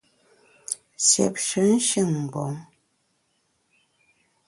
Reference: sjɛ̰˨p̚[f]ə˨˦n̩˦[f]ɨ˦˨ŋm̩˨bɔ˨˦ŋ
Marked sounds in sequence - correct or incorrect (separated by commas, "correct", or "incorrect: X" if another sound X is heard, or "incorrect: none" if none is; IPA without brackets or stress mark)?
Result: incorrect: ʃ, incorrect: ʃ